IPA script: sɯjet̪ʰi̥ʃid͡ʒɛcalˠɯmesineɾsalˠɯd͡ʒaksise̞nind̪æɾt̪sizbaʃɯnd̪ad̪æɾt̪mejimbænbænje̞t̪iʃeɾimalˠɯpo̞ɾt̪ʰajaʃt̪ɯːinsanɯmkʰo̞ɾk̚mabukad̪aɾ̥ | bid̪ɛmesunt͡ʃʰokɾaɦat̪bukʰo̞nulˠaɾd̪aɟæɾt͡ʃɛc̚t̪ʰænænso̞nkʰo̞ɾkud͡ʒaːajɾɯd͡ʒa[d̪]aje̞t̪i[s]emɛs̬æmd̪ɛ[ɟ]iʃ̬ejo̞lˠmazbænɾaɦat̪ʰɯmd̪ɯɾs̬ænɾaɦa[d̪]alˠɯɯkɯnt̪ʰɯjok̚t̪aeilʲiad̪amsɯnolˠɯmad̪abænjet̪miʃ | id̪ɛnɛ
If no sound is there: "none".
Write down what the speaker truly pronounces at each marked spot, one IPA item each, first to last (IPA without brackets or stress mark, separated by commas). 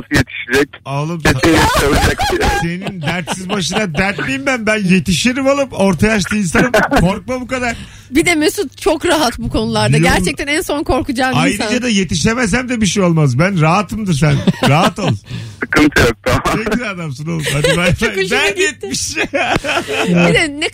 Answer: d̪, ʃ, b, t̪